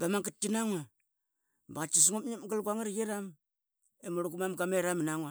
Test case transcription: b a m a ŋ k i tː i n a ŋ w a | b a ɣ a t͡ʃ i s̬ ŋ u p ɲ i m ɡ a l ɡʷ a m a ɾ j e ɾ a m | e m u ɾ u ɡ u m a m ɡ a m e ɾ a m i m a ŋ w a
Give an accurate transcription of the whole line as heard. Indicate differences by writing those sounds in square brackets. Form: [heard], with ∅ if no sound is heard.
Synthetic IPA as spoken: b a m a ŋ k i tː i n a ŋ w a | b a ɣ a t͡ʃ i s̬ ŋ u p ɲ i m ɡ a l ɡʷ a [ŋ] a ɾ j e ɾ a m | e m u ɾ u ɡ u m a m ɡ a m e ɾ a m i [n] a ŋ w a